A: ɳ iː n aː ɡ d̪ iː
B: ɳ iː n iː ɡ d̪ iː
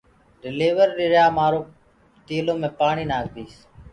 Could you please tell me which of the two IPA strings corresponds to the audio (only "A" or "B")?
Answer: A